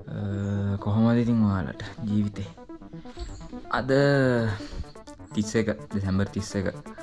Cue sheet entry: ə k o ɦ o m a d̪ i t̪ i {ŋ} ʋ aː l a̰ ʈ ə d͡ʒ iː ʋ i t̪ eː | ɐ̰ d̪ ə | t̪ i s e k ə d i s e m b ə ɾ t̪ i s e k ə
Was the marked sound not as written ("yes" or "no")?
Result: no